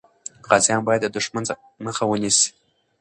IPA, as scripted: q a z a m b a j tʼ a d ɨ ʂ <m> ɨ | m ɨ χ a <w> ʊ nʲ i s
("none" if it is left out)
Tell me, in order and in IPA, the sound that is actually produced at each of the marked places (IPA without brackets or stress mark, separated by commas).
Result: m, w